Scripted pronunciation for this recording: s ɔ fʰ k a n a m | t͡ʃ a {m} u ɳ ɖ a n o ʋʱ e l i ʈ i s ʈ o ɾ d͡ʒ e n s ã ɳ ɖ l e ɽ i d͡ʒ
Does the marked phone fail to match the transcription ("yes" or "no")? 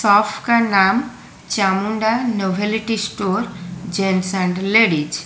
no